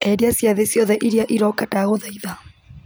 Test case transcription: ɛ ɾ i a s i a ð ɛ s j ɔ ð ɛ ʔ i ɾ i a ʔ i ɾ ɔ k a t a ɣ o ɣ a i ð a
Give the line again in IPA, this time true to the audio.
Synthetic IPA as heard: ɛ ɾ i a s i a ð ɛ s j ɔ ð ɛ ʔ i ɾ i a ʔ i ɾ ɔ k a t a ɣ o ð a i ð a